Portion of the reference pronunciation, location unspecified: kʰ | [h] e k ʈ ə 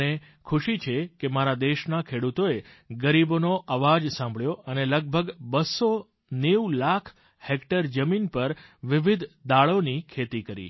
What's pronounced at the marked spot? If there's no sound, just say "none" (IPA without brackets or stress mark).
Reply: h